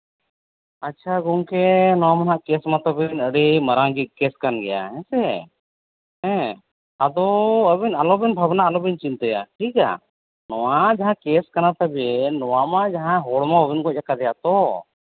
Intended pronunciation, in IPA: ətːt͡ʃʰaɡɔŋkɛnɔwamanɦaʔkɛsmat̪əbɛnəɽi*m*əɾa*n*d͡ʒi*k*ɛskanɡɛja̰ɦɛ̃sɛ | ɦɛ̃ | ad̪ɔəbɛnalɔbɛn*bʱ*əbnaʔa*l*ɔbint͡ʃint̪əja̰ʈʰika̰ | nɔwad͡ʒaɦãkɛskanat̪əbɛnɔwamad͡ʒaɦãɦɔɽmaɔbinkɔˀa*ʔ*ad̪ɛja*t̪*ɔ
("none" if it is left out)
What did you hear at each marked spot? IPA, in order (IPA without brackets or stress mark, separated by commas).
m, ŋ, k, bʱ, l, k, t̪